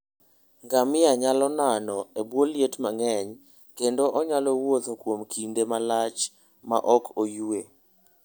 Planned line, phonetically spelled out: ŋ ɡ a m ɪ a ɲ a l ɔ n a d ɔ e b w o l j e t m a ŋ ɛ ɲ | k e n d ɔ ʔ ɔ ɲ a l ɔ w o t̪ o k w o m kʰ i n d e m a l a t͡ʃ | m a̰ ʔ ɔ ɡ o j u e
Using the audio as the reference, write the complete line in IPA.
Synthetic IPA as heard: ŋ ɡ a m ɪ a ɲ a l ɔ n a n ɔ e b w o l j e t m a ŋ ɛ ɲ | k e n d o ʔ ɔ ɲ a l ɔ w o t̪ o k w o m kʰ i n d e m a l a t͡ʃ | m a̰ ʔ ɔ k o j u e